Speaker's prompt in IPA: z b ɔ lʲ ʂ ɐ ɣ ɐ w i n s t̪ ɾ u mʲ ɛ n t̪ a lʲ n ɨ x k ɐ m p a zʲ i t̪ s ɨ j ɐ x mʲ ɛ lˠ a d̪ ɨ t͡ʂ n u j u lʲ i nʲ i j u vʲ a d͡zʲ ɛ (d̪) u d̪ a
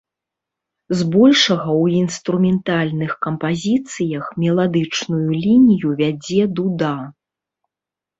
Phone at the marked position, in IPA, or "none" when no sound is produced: d̪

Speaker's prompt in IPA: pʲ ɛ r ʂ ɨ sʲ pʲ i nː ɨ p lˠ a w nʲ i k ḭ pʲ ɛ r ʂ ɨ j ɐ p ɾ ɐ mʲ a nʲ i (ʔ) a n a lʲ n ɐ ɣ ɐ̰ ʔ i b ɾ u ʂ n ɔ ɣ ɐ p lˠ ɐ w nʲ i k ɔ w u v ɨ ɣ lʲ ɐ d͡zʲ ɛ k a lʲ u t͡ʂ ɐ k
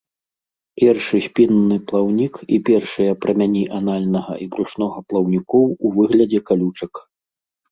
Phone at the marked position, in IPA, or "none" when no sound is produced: ʔ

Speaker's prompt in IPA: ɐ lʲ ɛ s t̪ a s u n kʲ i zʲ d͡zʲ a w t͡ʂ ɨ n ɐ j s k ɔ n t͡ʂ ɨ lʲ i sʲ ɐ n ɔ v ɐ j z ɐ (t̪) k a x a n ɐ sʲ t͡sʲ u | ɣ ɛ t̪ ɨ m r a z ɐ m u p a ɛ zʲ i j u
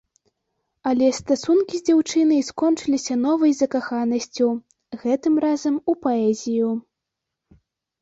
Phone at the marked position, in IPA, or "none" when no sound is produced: none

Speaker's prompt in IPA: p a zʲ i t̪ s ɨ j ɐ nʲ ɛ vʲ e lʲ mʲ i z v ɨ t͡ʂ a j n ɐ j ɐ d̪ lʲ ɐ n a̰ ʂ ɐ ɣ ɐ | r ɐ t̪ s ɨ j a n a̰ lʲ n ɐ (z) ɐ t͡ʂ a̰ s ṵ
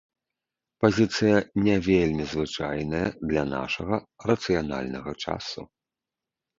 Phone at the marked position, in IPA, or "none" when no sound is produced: ɣ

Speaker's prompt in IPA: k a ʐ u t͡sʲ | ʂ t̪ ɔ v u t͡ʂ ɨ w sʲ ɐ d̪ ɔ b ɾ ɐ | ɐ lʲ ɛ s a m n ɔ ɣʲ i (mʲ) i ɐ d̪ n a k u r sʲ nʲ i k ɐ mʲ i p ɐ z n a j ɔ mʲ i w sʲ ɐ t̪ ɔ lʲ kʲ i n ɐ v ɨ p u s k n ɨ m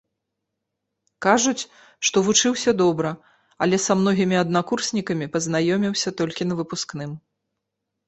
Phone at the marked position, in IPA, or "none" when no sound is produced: mʲ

